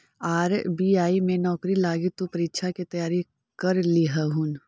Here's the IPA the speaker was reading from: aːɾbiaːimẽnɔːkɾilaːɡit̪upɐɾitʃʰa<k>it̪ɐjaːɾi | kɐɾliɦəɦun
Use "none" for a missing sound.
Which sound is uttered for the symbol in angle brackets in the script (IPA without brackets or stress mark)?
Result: k